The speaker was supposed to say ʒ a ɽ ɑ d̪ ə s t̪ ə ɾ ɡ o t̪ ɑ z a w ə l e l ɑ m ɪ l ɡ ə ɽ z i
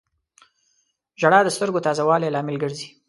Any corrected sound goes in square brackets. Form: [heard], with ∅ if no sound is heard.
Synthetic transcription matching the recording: ʒ a ɽ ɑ d̪ ə s t̪ ə ɾ ɡ o t̪ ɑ z a w [ɑ] l e l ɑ m ɪ l ɡ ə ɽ z i